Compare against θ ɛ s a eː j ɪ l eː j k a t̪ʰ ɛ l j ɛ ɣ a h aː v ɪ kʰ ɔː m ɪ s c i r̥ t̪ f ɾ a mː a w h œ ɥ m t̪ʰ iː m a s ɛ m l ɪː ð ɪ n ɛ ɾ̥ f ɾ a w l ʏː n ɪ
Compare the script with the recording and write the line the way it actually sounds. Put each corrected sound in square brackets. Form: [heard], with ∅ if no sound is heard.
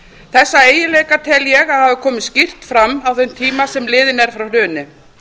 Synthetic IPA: θ ɛ [sː] a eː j ɪ l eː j k a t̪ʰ ɛ l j ɛ ɣ a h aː v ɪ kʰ ɔː m ɪ s c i r̥ t̪ f ɾ a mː a w [θ] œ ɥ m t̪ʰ iː m a s ɛ m l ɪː ð ɪ n ɛ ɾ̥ f ɾ a w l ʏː n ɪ